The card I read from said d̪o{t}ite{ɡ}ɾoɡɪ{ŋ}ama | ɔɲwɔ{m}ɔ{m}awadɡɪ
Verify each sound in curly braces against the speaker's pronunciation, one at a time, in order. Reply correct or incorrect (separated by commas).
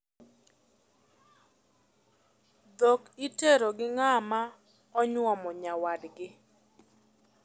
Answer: incorrect, incorrect, correct, correct, incorrect